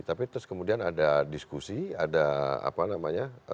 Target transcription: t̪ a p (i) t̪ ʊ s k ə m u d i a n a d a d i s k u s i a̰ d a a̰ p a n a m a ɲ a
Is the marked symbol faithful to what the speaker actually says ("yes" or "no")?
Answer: yes